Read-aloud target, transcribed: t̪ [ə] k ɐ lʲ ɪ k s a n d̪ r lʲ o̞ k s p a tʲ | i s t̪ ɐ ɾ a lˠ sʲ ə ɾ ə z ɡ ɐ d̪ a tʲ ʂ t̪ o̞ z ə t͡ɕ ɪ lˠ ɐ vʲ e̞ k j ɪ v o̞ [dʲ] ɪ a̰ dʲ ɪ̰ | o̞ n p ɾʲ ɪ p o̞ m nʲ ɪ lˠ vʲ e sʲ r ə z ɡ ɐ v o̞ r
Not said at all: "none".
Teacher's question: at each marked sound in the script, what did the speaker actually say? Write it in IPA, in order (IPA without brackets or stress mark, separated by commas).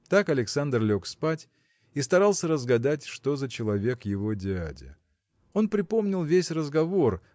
a, dʲ